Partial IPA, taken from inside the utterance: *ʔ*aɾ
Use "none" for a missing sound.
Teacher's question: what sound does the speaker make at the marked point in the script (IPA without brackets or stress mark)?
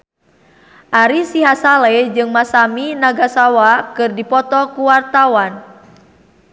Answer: ʔ